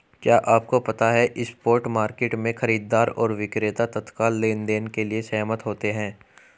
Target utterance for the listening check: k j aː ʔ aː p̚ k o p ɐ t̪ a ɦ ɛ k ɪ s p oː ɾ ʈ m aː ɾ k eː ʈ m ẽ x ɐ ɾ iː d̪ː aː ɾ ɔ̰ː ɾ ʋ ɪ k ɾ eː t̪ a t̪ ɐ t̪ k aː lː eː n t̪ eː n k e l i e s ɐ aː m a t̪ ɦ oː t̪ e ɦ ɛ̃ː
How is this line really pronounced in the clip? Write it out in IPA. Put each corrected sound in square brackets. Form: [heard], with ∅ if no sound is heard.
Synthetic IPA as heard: k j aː ʔ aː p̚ k o p ɐ t̪ a ɦ ɛ [ʔ] ɪ s p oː ɾ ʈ m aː ɾ k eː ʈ m ẽ x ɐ ɾ iː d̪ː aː ɾ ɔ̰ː ɾ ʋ ɪ k ɾ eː t̪ a t̪ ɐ t̪ k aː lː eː n [d̪] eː n k e l i e s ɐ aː m [ə] t̪ ɦ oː t̪ e ɦ ɛ̃ː